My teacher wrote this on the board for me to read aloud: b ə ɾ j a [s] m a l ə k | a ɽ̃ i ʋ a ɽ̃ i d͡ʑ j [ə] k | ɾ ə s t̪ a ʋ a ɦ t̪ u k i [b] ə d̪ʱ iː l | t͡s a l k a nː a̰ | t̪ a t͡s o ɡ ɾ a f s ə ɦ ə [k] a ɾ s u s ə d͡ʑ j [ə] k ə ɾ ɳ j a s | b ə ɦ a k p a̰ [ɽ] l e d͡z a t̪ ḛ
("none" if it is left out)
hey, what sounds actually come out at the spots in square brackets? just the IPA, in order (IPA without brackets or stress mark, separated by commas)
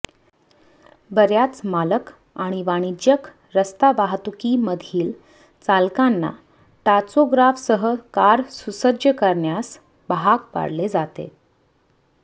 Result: t͡s, ə, m, k, ə, ɽ